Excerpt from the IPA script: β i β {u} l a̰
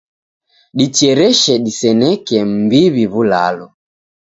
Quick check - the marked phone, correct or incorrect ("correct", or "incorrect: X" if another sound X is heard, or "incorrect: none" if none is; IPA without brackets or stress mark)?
correct